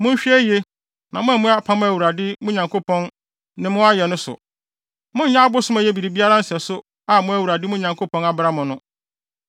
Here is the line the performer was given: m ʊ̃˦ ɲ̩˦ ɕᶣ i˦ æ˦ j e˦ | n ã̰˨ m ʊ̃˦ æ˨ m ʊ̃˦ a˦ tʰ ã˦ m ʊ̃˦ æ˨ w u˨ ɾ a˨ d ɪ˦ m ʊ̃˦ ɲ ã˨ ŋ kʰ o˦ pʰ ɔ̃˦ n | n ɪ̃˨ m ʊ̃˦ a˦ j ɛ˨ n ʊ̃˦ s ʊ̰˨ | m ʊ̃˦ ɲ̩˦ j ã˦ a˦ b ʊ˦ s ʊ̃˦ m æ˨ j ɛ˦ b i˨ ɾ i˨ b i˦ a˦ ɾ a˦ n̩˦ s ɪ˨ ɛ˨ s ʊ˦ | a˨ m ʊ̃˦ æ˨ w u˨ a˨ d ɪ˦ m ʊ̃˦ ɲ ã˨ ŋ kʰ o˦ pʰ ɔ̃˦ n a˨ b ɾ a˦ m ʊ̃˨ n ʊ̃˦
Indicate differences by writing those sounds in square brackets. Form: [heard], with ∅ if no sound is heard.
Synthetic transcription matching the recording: m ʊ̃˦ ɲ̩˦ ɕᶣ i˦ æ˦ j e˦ | n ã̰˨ m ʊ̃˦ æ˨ m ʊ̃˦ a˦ [pʰ] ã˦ m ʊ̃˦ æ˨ w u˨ ɾ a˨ d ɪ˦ m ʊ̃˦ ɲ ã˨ ŋ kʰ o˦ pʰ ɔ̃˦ n | n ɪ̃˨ m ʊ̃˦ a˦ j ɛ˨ n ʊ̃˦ s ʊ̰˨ | m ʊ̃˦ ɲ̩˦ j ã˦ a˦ b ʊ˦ s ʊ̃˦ m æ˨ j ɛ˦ b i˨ ɾ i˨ b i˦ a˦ ɾ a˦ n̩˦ s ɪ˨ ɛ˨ s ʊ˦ | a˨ m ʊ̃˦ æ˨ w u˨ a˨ d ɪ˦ m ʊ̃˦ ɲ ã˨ ŋ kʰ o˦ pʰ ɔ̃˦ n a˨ b ɾ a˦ m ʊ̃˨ n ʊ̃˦